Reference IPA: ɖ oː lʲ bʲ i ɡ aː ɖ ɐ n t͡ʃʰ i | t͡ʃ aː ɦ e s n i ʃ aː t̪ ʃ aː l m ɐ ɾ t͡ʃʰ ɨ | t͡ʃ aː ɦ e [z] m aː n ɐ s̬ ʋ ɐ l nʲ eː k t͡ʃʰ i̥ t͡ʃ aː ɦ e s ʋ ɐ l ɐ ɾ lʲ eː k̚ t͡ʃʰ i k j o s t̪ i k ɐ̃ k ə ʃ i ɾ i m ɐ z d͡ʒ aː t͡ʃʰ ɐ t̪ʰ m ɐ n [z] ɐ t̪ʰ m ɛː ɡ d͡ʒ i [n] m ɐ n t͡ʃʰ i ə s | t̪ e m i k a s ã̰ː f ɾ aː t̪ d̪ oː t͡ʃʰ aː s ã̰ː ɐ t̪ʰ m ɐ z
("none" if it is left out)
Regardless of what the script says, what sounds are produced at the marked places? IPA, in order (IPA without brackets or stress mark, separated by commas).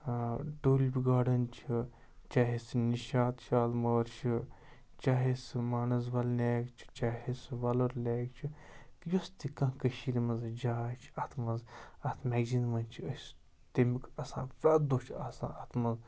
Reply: s, z, n